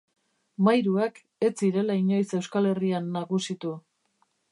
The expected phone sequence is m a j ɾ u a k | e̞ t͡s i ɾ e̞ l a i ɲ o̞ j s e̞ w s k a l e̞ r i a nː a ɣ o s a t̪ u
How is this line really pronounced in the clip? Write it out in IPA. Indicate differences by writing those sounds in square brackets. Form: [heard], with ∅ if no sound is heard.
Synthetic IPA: m a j ɾ u a k | e̞ t͡s i ɾ e̞ l a i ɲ o̞ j s e̞ w s k a l e̞ r i a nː a ɣ [u] s [i] t̪ u